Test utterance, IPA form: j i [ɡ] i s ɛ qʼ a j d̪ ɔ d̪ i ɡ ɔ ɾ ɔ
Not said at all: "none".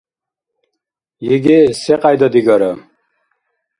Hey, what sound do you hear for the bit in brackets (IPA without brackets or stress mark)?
ɡ